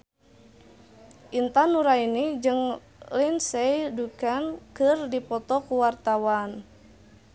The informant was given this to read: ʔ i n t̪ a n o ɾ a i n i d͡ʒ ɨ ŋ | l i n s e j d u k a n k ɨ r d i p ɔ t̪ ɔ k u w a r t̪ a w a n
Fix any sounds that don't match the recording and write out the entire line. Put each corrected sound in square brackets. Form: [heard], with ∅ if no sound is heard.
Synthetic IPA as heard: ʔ i n t̪ a n [u] ɾ a i n i d͡ʒ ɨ ŋ | l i n s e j d u k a n k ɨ r d i p ɔ t̪ ɔ k u w a r t̪ a w a n